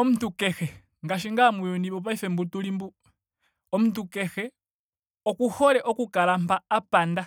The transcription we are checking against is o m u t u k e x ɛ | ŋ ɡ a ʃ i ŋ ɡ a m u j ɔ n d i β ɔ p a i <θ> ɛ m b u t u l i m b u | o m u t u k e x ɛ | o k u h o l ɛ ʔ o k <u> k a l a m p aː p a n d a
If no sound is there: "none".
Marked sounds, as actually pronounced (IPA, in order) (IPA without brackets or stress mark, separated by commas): f, u